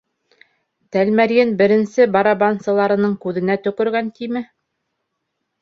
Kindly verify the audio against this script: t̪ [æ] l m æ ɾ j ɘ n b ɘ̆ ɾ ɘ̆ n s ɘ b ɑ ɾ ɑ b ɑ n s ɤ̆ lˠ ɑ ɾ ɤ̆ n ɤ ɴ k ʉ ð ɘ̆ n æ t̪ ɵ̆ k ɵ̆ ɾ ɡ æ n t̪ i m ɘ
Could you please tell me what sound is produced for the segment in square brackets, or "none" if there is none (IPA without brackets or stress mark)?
æ